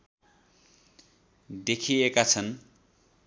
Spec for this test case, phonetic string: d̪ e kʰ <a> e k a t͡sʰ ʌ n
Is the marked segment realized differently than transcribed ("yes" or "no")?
yes